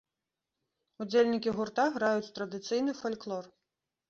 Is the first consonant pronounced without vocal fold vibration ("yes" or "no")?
no